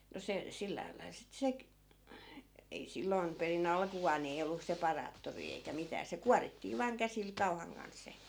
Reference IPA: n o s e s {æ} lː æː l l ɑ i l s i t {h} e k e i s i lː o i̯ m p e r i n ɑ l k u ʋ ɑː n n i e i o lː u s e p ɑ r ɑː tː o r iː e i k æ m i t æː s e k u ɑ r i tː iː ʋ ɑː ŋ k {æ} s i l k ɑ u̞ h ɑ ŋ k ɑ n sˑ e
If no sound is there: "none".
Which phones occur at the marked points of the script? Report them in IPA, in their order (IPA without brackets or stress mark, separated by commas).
i, s, æ